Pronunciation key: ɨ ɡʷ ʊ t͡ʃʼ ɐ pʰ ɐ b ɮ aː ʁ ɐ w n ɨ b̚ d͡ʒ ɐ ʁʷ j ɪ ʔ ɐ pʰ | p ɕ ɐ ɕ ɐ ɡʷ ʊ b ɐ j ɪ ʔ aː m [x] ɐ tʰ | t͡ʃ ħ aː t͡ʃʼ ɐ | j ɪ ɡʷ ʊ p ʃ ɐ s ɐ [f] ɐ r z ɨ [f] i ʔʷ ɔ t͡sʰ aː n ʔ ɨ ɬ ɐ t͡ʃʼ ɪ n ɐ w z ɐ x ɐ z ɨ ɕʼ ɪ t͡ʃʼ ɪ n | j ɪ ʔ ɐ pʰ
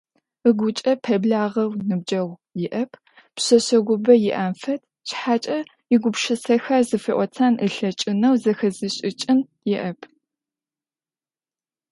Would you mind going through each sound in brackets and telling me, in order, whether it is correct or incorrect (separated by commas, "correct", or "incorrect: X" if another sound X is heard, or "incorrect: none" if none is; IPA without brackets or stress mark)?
incorrect: f, incorrect: x, correct